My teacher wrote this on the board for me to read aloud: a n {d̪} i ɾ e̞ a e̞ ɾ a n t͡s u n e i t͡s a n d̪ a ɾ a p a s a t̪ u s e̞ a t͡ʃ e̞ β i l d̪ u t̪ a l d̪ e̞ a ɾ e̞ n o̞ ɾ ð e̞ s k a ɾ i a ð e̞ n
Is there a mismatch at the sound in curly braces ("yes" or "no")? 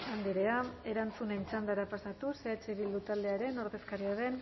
no